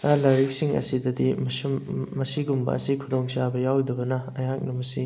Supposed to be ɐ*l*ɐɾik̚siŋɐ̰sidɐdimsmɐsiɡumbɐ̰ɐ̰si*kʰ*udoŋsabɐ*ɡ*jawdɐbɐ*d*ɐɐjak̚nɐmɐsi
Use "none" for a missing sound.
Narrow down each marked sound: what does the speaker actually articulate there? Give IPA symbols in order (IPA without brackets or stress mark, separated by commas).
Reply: l, kʰ, none, n